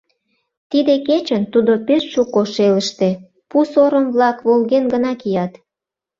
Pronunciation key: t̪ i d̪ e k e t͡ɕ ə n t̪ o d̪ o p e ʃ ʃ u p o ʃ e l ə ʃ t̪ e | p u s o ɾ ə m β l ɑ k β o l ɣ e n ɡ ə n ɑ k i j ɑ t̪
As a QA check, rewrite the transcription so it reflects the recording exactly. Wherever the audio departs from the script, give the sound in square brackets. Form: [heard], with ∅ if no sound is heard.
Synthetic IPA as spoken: t̪ i d̪ e k e t͡ɕ ə n t̪ [u] d̪ o p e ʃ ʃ u [k] o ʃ e l ə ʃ t̪ e | p u s o ɾ ə m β l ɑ k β o l ɣ e n ɡ ə n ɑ k i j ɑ t̪

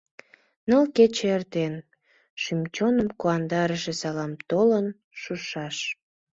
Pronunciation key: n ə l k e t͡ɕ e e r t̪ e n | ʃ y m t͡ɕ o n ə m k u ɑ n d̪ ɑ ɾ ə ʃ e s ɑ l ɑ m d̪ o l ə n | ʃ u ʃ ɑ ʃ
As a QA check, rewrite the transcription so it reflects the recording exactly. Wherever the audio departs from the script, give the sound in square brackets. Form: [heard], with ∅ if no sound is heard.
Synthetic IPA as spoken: n ə l k e t͡ɕ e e r t̪ e n | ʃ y m t͡ɕ o n ə m k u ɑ n d̪ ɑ ɾ ə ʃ e s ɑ l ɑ m [t̪] o l ə n | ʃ u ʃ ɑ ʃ

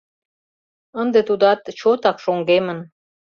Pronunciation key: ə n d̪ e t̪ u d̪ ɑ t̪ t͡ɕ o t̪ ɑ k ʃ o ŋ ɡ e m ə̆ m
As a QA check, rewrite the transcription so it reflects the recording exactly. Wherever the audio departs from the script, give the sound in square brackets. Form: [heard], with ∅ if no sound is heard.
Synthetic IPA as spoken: ə n d̪ e t̪ u d̪ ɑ t̪ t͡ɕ o t̪ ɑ k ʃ o ŋ ɡ e m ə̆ [n]

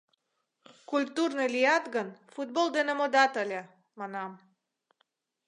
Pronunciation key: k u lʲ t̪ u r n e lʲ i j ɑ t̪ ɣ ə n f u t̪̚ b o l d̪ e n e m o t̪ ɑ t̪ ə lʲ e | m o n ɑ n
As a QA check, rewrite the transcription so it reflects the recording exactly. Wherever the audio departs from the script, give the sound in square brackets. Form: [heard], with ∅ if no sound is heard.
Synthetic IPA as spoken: k u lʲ t̪ u r n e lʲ i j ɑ t̪ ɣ ə n f u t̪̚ b o l d̪ e n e m o [d̪] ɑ t̪ ə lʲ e | m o n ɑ [m]

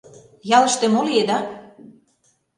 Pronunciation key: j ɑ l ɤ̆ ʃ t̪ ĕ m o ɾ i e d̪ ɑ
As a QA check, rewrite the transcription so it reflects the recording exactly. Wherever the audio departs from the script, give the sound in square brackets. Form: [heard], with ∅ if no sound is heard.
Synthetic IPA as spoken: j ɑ l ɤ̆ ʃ t̪ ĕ m o [l] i e d̪ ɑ

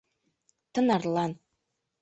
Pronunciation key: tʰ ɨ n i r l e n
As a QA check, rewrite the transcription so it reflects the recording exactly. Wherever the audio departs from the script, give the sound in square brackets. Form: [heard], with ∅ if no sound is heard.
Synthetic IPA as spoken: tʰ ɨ n [a] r l [a] n

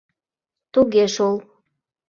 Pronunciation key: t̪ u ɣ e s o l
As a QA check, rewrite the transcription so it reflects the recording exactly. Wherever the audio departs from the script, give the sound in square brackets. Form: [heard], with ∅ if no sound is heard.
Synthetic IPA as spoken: t̪ u ɣ e [ʃ] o l

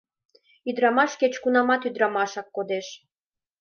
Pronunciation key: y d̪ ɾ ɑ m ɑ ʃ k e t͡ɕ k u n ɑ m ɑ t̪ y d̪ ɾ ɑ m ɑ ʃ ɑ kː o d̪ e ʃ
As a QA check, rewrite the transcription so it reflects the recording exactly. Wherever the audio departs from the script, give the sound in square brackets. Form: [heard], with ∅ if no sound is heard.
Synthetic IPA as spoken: y d̪ ɾ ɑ m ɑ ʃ k e t͡ɕ k u n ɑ m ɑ t̪ y d̪ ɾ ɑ m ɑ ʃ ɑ kː o d̪ e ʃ

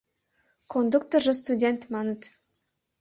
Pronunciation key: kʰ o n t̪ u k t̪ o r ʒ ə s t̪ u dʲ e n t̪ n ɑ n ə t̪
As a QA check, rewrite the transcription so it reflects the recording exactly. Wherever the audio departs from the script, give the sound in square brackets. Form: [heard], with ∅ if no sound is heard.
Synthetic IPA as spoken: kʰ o n [d̪] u k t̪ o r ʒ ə s t̪ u dʲ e n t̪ [m] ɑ n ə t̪

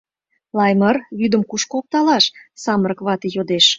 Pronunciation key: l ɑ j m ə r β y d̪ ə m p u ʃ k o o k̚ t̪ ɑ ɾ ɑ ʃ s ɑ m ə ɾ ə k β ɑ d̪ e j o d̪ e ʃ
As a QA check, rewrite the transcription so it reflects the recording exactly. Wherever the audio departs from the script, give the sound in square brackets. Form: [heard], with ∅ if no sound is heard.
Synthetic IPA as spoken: l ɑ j m ə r β y d̪ ə m [k] u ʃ k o o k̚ t̪ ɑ [l] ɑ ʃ s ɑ m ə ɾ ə k β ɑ [t̪] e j o d̪ e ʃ

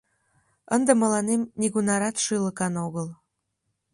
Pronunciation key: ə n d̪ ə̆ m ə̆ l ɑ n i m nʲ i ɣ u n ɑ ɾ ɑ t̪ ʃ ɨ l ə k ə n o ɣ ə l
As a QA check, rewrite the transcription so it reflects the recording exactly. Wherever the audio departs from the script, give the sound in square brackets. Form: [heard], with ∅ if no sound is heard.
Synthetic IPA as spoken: ə n d̪ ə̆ m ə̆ l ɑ n [e] m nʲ i ɣ u n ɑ ɾ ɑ t̪ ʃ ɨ l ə k [ɑ] n o ɣ ə l

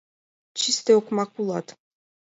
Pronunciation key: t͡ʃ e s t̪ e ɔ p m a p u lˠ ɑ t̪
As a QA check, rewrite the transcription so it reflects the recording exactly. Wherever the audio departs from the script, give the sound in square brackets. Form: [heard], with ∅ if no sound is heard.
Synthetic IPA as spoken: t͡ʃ [i] s t̪ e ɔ [k] m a [k] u lˠ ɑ t̪

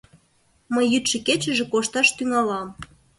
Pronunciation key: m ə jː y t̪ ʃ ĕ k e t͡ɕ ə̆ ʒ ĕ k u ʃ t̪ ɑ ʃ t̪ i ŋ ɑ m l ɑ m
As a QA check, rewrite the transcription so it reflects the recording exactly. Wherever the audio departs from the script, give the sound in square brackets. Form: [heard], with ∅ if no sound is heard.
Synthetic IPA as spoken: m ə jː y t̪ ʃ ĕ k e t͡ɕ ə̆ ʒ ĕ k [o] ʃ t̪ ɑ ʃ t̪ [y] ŋ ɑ [∅] l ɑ m

